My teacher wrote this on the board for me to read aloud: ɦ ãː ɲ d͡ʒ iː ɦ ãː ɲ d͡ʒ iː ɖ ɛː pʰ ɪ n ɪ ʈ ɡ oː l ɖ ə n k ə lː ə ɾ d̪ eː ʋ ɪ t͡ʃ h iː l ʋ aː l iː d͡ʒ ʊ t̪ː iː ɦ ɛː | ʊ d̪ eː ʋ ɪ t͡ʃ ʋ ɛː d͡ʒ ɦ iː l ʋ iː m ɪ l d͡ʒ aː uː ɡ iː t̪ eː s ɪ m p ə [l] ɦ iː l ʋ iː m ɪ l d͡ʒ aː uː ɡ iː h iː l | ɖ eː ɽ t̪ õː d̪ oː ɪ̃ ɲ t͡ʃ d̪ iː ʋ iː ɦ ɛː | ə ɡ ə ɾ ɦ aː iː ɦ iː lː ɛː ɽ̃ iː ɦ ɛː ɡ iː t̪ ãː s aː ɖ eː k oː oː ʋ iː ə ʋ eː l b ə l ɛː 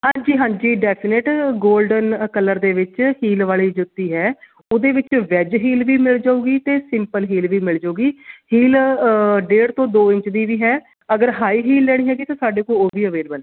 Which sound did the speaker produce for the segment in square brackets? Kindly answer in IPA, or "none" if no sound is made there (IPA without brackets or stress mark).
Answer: l